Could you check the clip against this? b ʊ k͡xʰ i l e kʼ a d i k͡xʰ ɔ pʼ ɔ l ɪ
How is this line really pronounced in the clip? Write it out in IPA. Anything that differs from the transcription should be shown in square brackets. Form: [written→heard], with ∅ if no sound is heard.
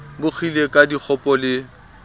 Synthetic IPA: b ʊ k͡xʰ i l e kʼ a d i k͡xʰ ɔ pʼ ɔ l ɪ